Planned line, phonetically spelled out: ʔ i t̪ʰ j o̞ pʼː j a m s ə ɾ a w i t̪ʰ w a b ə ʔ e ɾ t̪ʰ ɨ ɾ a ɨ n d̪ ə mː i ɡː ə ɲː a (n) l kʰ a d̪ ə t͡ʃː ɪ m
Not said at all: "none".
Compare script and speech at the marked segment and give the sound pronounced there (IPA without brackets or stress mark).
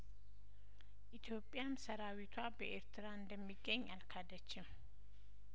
none